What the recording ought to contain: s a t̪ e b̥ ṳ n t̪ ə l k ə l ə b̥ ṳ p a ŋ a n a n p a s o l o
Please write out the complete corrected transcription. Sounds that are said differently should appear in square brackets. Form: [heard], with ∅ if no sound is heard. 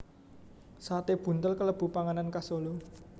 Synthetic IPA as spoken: s a t̪ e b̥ ṳ n t̪ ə l k ə l ə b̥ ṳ p a ŋ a n a n [k] a s o l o